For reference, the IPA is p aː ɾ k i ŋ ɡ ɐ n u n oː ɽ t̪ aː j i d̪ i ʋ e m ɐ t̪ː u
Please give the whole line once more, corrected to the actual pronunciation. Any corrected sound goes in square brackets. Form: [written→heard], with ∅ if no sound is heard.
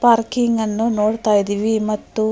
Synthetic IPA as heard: p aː ɾ k i ŋ ɡ ɐ [n→nː] u n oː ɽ t̪ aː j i d̪ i ʋ [e→i] m ɐ t̪ː u

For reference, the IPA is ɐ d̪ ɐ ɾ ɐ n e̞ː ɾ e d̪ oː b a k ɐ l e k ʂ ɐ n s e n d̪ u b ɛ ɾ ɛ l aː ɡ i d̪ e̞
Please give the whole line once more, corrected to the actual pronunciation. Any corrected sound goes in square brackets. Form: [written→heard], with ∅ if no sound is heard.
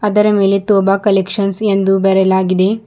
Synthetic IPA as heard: ɐ d̪ ɐ ɾ ɐ [n→m] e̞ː [ɾ→l] e [d̪→t̪] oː b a k ɐ l e k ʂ ɐ n s e n d̪ u b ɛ ɾ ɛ l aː ɡ i d̪ e̞

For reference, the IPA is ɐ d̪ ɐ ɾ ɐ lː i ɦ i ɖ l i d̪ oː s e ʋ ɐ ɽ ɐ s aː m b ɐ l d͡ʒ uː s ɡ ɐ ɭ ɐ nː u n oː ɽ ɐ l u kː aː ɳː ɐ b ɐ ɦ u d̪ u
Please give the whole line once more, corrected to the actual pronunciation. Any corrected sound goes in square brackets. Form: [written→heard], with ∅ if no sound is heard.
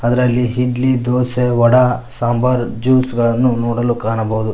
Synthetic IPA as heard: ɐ d̪ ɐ ɾ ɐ lː i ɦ i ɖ l i d̪ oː s e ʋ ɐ ɽ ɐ s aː m b ɐ [l→ɾ] d͡ʒ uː s ɡ ɐ ɭ ɐ nː u n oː ɽ ɐ l u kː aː [ɳː→ɳ] ɐ b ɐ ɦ u d̪ u

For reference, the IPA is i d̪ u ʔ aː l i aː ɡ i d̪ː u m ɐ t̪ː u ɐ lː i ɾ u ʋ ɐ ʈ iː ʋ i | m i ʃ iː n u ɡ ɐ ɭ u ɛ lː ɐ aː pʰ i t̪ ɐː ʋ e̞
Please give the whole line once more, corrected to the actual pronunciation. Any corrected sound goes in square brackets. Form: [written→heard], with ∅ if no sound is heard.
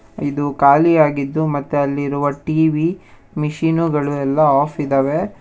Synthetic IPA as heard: i d̪ u [ʔ→k] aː l i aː ɡ i d̪ː u m ɐ t̪ː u ɐ lː i ɾ u ʋ ɐ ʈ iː ʋ i | m i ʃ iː n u ɡ ɐ ɭ u ɛ lː ɐ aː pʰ i [t̪→d̪] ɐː ʋ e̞

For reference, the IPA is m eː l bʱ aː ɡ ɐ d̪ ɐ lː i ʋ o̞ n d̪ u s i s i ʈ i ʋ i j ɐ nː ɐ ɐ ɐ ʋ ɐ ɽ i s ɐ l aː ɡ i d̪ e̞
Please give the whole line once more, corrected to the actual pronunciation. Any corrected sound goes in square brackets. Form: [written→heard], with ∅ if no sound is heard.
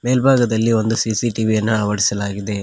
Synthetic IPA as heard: m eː l bʱ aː ɡ ɐ d̪ ɐ lː i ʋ o̞ n d̪ u s i s i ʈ i ʋ i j ɐ nː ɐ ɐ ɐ ʋ ɐ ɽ i s ɐ l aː ɡ i d̪ e̞

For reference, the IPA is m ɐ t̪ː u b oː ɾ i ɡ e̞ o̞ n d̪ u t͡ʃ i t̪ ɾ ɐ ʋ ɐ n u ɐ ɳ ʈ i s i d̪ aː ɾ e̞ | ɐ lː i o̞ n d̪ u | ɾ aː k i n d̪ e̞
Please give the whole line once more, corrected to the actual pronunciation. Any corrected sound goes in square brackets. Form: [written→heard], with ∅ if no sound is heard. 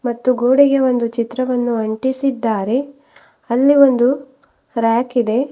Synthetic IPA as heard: m ɐ t̪ː u [b→ɡ] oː [ɾ→ɽ] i ɡ e̞ o̞ n d̪ u t͡ʃ i t̪ ɾ ɐ ʋ ɐ [n→nː] u ɐ ɳ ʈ i s i [d̪→d̪ː] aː ɾ e̞ | ɐ lː i o̞ n d̪ u | ɾ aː k i [n→∅] d̪ e̞

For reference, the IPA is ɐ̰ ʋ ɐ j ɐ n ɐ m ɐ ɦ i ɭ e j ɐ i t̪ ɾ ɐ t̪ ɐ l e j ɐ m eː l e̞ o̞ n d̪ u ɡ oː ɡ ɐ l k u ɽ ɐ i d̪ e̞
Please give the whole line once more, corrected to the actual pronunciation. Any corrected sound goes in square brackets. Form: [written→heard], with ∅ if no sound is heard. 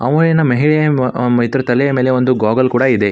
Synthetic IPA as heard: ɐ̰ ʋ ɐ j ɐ n ɐ m ɐ ɦ i ɭ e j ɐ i t̪ ɾ ɐ t̪ ɐ l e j ɐ m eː l e̞ o̞ n d̪ u ɡ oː ɡ ɐ l k [u→uː] ɽ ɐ i d̪ e̞

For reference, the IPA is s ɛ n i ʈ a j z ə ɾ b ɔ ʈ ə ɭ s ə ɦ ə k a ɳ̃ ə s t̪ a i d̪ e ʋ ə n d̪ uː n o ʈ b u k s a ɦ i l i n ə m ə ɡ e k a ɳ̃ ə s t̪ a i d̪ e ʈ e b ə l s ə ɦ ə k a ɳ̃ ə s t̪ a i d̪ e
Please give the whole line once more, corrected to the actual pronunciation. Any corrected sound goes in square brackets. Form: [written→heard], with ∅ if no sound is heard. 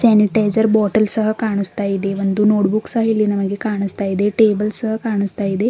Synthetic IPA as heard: s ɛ n i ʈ a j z ə ɾ b ɔ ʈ ə [ɭ→l] s ə ɦ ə k a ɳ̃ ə s t̪ a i d̪ e ʋ ə n d̪ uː n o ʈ b u k s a ɦ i l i n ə m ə ɡ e k a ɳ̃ ə s t̪ a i d̪ e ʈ e b ə l s ə ɦ ə k a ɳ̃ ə s t̪ a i d̪ e

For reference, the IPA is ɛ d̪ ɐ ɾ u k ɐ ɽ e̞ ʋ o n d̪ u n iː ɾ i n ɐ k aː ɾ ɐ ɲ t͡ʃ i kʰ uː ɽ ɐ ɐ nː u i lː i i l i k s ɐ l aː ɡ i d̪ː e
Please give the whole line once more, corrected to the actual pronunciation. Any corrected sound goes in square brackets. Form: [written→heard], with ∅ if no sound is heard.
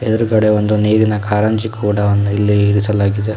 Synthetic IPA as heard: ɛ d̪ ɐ ɾ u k ɐ ɽ e̞ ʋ o n d̪ u n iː ɾ i n ɐ k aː ɾ ɐ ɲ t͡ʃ i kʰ uː ɽ ɐ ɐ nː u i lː i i [l→ɾ] i [k→∅] s ɐ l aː ɡ i [d̪ː→d̪] e

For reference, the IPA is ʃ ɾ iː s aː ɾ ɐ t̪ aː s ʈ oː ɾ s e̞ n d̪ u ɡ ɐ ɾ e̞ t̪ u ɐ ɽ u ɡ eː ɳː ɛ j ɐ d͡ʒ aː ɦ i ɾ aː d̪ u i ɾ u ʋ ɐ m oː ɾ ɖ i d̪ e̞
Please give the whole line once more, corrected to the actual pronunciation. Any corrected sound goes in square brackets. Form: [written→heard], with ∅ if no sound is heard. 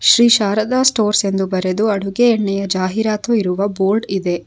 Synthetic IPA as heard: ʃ ɾ iː [s→ʃ] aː ɾ ɐ [t̪→d̪] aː s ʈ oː ɾ s e̞ n d̪ u [ɡ→b] ɐ ɾ e̞ [t̪→d̪] u ɐ ɽ u ɡ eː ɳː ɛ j ɐ d͡ʒ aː ɦ i ɾ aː [d̪→t̪] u i ɾ u ʋ ɐ [m→b] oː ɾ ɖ i d̪ e̞

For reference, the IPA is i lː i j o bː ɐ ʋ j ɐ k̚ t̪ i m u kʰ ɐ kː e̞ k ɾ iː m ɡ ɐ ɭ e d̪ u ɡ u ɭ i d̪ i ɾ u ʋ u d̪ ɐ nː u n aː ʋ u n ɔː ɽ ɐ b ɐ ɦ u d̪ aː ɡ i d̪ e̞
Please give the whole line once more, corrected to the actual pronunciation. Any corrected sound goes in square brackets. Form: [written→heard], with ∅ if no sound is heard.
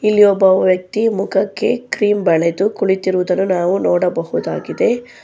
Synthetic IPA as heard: i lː i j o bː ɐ ʋ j ɐ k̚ t̪ i m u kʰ ɐ kː e̞ k ɾ iː m [ɡ→b] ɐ ɭ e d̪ u [ɡ→k] u ɭ i [d̪→t̪] i ɾ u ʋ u d̪ ɐ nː u n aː ʋ u n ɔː ɽ ɐ b ɐ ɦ u d̪ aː ɡ i d̪ e̞

